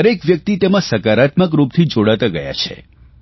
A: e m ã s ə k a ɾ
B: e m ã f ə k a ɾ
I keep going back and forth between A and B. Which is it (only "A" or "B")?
A